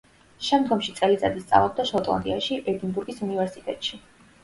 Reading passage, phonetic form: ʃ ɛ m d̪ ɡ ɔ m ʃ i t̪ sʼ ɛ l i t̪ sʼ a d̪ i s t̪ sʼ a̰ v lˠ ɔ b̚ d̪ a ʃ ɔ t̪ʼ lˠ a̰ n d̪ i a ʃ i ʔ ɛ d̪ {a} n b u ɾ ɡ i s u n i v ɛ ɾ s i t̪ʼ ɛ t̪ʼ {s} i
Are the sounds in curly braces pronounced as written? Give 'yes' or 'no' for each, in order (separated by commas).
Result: no, no